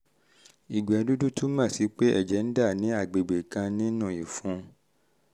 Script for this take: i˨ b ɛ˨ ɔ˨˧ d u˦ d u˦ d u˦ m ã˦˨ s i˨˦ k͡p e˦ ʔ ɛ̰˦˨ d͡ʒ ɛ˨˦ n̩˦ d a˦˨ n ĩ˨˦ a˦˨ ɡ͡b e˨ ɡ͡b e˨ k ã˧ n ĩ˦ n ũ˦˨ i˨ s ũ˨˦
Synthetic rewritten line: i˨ ɡ͡b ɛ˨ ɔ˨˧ d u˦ d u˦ t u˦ m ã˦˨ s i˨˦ k͡p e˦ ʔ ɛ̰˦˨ d͡ʒ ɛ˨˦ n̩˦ d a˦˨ n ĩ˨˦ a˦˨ ɡ͡b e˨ ɡ͡b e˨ k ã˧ n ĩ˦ n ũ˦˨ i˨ f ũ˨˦